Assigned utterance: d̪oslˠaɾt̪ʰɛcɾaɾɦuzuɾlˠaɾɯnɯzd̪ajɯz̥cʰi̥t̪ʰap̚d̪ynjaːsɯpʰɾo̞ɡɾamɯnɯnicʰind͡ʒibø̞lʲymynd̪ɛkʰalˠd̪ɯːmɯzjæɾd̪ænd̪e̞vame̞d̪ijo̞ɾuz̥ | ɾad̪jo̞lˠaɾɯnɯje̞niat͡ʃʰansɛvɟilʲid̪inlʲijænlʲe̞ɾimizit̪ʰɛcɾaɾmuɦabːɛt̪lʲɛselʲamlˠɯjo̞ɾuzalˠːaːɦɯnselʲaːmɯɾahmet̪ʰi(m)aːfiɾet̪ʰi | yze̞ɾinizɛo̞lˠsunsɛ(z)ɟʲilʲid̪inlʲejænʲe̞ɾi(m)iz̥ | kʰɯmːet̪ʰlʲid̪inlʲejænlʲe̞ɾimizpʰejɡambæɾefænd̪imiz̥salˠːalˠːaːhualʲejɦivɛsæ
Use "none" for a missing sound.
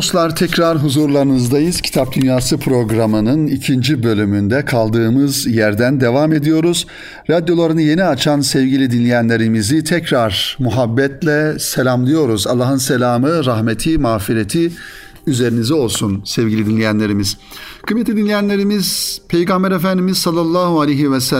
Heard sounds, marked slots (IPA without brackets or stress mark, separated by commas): m, v, m